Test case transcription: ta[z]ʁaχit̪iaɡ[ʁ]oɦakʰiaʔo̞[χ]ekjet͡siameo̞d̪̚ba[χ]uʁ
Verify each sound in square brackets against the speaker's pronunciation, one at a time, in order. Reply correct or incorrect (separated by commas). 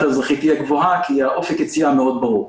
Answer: correct, incorrect, incorrect, incorrect